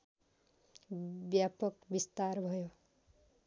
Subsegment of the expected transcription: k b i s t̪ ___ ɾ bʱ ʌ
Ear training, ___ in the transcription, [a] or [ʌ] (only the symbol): a